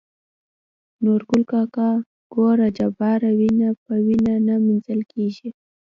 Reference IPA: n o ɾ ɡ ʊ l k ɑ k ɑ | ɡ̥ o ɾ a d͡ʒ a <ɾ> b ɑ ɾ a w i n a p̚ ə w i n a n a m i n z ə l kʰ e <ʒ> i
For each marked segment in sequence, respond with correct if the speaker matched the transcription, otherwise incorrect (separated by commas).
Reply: incorrect, correct